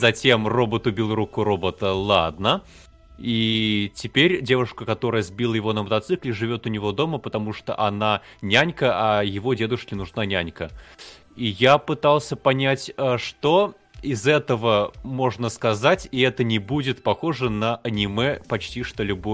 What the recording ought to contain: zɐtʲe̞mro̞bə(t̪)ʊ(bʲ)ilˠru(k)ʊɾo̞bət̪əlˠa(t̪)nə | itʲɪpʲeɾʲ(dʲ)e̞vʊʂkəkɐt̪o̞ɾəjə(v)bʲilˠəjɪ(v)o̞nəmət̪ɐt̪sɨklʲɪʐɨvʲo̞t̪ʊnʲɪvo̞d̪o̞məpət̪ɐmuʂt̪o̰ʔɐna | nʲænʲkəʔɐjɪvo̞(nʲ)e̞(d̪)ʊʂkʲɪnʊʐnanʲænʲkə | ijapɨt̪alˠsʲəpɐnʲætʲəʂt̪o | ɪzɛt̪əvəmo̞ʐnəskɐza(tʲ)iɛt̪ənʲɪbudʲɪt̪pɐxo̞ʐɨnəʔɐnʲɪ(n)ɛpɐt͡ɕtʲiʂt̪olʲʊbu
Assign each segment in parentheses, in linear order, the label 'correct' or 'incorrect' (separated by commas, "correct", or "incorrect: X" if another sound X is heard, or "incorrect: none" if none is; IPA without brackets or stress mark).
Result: correct, correct, correct, incorrect: d̪, correct, incorrect: z, correct, incorrect: dʲ, correct, correct, incorrect: m